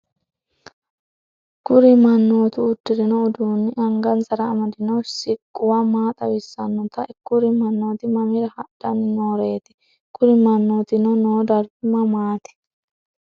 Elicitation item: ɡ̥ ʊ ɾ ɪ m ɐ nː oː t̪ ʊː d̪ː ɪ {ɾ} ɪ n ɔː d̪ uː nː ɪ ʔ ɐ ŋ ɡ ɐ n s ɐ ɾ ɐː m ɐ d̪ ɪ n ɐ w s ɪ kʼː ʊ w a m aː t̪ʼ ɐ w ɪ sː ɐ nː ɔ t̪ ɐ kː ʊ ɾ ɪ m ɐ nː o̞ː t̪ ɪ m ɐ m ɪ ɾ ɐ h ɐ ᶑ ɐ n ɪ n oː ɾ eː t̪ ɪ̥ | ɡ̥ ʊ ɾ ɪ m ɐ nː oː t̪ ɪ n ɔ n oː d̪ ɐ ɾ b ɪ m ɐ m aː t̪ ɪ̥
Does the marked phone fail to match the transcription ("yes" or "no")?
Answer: no